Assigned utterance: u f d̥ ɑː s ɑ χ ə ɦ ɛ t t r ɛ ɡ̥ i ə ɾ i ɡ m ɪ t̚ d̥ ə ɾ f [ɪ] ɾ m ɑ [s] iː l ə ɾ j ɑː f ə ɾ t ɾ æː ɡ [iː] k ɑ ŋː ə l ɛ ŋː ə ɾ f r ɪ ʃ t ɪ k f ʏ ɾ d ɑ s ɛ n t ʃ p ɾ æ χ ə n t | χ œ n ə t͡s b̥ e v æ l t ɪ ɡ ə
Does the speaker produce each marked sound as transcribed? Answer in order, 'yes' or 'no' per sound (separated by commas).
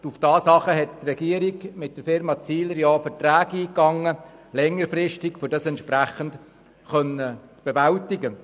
yes, no, yes